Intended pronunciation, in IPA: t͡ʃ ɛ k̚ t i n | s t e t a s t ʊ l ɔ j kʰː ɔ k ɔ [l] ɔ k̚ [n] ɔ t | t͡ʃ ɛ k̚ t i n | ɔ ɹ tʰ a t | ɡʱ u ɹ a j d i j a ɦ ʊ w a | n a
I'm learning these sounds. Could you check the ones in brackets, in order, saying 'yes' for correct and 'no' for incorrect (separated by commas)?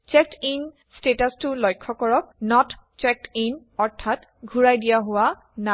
no, yes